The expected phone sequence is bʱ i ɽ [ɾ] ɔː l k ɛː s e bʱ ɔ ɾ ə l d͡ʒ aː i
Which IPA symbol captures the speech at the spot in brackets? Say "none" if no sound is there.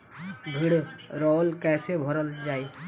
ɾ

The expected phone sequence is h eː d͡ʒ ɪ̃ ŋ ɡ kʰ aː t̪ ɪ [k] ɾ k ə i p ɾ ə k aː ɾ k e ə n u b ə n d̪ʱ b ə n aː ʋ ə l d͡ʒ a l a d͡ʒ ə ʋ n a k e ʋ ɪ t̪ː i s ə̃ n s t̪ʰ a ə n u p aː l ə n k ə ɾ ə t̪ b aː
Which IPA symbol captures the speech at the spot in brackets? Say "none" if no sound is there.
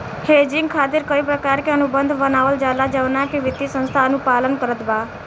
none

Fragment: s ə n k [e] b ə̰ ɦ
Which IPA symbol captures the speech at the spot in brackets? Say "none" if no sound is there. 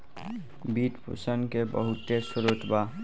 e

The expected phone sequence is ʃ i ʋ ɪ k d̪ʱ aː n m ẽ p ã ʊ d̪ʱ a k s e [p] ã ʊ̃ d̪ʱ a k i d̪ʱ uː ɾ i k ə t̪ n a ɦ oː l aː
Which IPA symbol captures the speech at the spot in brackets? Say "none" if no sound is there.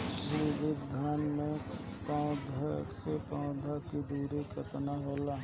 p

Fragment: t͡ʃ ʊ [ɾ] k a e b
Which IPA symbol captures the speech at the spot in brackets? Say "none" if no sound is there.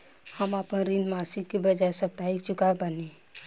none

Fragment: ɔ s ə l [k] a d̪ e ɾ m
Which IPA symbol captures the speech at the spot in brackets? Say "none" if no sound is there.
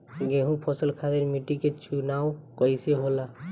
kʰ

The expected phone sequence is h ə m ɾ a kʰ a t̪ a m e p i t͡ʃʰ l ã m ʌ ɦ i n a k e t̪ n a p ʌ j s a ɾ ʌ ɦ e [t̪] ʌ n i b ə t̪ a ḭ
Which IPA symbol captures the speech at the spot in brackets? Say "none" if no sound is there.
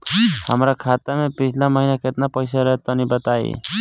t̪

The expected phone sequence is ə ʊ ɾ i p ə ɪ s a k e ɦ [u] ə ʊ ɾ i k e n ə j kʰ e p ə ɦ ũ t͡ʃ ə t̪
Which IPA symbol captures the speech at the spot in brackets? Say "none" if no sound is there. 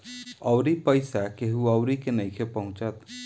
u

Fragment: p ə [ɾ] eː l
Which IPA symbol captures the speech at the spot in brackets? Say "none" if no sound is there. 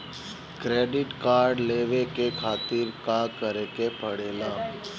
ɽ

